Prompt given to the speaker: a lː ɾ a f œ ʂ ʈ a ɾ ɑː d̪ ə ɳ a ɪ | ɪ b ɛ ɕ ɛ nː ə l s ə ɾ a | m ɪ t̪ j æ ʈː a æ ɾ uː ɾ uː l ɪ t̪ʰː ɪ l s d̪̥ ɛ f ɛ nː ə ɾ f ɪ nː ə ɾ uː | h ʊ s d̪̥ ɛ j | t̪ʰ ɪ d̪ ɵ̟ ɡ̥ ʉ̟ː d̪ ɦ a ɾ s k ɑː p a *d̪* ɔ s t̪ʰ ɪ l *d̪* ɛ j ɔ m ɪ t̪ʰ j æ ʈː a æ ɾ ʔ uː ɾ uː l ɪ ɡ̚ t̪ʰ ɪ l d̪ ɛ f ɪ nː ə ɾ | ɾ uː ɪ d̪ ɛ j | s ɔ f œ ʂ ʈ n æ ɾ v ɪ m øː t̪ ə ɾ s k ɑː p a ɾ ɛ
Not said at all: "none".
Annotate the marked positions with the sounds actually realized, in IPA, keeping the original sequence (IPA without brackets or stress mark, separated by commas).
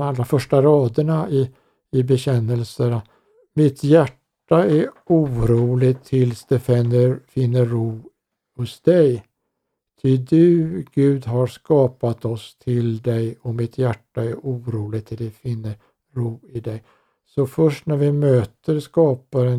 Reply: t̪, d̪